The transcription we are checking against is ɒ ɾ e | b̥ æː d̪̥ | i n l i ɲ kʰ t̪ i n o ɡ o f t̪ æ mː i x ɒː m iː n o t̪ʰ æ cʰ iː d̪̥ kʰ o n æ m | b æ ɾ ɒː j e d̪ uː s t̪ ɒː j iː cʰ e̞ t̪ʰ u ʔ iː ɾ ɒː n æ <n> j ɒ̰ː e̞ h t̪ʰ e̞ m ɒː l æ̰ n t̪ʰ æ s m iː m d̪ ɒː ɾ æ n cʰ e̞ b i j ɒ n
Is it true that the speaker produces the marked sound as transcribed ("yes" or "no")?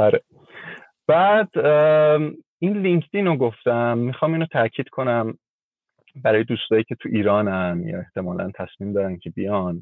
yes